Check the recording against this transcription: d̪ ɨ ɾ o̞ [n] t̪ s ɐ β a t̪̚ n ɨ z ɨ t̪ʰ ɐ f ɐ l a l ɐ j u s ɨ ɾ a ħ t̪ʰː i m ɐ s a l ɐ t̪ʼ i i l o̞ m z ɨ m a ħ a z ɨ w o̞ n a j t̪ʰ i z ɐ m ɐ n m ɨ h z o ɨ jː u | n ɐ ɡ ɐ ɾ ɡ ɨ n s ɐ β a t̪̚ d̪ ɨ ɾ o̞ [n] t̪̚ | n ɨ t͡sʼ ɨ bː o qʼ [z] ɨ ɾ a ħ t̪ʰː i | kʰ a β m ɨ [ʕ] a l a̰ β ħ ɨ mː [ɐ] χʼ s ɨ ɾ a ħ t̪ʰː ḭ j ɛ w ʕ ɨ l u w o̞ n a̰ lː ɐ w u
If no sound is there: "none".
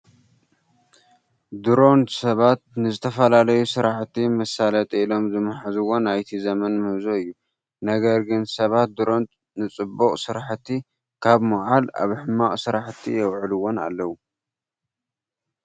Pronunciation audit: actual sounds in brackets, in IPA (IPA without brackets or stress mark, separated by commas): n, n, s, ʕ, a